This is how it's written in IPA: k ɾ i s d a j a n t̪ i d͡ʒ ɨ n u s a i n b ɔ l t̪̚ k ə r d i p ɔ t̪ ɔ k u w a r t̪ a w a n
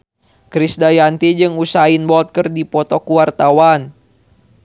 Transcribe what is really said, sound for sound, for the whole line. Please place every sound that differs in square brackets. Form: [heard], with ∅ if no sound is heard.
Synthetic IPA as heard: k ɾ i s d a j a n t̪ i d͡ʒ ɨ [ŋ] u s a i n b ɔ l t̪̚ k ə r d i p ɔ t̪ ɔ k u w a r t̪ a w a n